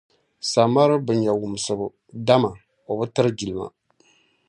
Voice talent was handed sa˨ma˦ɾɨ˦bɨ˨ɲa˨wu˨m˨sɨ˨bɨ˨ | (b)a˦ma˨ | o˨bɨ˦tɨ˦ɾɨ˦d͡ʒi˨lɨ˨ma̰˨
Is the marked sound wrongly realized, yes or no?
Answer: yes